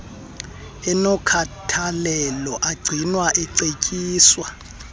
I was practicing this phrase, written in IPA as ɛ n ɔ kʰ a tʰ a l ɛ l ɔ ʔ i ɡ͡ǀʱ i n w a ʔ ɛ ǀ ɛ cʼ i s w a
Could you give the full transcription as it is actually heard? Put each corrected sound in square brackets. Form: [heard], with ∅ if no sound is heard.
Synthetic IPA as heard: ɛ n ɔ kʰ a tʰ a l ɛ l ɔ ʔ [a] ɡ͡ǀʱ i n w a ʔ ɛ ǀ [e] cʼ [iː] s w a